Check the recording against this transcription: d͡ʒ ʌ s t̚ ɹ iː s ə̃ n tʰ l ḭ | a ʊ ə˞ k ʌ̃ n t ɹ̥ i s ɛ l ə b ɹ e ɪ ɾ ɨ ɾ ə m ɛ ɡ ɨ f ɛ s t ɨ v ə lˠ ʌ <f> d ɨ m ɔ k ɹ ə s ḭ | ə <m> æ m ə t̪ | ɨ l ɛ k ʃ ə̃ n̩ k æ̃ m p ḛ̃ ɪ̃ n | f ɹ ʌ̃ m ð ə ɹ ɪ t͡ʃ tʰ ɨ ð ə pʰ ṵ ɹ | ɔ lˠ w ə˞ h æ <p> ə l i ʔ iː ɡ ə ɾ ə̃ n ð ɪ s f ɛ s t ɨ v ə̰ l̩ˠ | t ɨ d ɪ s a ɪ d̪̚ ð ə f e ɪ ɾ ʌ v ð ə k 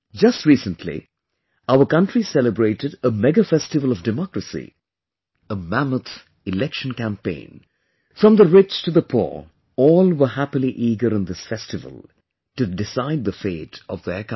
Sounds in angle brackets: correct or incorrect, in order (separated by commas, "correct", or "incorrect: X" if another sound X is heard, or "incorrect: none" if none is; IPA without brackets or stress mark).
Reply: incorrect: v, correct, correct